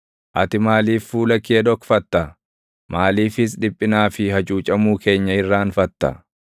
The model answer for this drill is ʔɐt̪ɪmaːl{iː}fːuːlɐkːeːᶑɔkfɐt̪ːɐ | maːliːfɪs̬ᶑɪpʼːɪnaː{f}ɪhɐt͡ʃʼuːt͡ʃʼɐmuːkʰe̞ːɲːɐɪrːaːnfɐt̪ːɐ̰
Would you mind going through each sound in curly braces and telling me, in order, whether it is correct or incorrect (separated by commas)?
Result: correct, correct